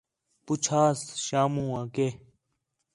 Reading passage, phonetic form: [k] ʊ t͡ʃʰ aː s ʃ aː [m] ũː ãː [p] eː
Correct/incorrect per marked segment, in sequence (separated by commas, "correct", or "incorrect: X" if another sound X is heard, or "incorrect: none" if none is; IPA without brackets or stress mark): incorrect: p, correct, incorrect: k